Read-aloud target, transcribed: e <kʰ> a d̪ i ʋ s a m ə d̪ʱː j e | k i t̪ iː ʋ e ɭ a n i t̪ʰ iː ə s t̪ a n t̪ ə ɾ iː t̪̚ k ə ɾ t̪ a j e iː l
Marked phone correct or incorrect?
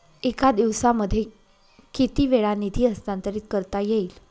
incorrect: k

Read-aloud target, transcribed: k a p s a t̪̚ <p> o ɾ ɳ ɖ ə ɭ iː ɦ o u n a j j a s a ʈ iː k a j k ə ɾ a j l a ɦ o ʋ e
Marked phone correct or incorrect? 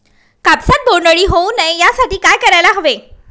incorrect: b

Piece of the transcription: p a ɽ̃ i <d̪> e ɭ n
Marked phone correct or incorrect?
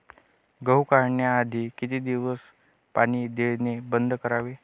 correct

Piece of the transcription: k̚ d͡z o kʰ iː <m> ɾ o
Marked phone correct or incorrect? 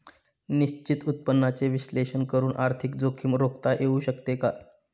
correct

